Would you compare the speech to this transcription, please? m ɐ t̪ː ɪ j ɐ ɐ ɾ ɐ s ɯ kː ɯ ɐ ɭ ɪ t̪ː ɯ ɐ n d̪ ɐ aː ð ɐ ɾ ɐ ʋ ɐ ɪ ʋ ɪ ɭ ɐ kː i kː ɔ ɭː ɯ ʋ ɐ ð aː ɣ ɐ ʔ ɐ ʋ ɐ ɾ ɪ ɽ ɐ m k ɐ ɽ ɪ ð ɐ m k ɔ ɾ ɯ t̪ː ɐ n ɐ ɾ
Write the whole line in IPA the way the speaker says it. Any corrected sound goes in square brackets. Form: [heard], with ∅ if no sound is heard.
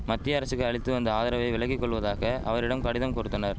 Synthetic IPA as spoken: m ɐ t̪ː ɪ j ɐ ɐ ɾ ɐ s ɯ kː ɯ ɐ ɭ ɪ t̪ː ɯ ɐ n d̪ ɐ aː ð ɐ ɾ ɐ ʋ ɐ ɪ ʋ ɪ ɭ ɐ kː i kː ɔ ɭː ɯ ʋ ɐ ð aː ɣ ɐ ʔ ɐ ʋ ɐ ɾ ɪ ɽ ɐ m k ɐ ɽ ɪ ð ɐ m k ɔ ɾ ɯ t̪ː ɐ n ɐ ɾ